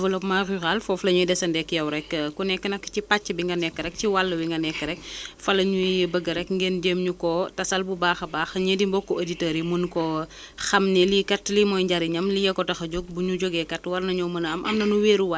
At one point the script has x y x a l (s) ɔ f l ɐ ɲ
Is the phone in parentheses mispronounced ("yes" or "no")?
yes